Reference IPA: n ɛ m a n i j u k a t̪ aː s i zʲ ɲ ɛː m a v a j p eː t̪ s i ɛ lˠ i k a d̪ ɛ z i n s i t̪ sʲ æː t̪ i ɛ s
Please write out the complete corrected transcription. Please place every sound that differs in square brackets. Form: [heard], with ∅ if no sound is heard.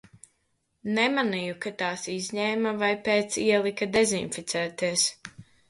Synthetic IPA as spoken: n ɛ m a n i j u k a t̪ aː s i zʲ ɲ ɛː m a v a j p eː t̪ s i ɛ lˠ i k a d̪ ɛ z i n [f] i t̪ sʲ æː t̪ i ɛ s